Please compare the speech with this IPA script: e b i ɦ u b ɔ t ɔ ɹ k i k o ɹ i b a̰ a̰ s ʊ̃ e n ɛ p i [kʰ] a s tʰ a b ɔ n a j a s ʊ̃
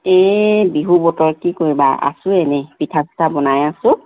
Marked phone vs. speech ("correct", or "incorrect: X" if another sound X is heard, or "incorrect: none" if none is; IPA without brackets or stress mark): incorrect: tʰ